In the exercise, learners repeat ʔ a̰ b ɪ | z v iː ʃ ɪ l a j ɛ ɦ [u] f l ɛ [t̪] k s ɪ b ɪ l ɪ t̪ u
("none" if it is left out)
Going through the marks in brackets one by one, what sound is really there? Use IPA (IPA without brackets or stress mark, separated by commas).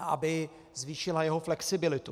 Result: o, none